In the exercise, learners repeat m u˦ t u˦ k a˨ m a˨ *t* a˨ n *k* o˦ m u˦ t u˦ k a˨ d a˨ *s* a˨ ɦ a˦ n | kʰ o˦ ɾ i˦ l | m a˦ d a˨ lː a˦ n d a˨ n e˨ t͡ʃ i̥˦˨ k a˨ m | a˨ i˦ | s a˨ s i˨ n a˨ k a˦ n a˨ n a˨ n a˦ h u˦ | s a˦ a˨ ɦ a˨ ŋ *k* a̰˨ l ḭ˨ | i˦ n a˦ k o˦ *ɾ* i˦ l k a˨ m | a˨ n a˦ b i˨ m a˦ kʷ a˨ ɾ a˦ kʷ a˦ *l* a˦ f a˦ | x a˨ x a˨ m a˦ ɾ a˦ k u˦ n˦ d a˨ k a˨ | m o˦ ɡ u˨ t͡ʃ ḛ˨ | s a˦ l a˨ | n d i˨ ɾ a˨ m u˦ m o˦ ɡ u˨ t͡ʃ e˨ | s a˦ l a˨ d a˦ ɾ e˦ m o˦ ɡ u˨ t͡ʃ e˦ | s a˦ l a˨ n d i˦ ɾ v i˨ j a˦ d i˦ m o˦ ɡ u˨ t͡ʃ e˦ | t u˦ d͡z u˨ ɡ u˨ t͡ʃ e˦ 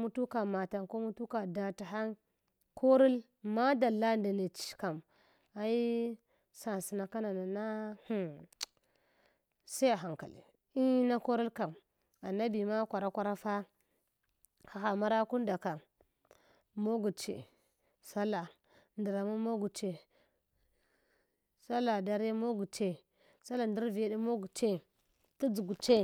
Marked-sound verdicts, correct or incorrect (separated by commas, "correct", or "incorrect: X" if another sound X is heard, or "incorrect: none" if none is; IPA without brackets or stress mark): correct, correct, incorrect: t, correct, correct, incorrect: ɾ